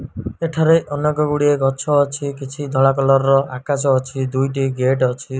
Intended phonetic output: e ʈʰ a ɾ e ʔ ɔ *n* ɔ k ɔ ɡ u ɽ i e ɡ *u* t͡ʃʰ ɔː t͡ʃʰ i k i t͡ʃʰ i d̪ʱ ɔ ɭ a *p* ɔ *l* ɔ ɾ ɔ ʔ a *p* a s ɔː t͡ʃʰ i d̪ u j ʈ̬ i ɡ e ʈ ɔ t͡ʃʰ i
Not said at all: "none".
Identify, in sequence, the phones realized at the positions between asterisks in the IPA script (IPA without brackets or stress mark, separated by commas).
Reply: n, ɔ, k, l, k